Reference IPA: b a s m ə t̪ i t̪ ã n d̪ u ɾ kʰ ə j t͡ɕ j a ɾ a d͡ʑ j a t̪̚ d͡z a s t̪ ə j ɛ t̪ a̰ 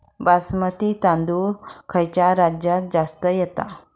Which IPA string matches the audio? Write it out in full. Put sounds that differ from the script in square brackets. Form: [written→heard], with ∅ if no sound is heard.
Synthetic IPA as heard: b a s m ə t̪ i t̪ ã n d̪ u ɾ kʰ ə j t͡ɕ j a ɾ a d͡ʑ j a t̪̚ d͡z a s t̪ ə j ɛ t̪ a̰